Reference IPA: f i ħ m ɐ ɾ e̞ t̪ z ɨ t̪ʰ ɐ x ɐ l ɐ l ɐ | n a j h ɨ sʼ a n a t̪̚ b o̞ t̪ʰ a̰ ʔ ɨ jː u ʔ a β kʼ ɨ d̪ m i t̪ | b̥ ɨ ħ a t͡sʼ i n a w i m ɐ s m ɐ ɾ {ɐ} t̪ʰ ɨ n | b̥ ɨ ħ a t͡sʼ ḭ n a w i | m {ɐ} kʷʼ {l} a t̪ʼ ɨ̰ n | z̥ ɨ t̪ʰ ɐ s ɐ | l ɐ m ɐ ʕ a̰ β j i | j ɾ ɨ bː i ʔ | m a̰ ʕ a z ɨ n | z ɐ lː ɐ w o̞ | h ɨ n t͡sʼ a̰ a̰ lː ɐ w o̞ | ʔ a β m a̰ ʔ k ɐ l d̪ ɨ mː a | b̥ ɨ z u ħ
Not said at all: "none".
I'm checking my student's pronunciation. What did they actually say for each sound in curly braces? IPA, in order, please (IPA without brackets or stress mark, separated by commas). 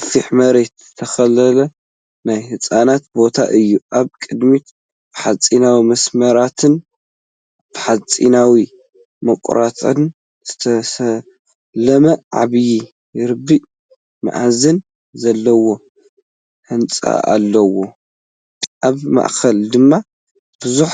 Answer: a, ɐ, ɾ